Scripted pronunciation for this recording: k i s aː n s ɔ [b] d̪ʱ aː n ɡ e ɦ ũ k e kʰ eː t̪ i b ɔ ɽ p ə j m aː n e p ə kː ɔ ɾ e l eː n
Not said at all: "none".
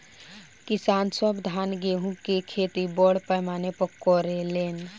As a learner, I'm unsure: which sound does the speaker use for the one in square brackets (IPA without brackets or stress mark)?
b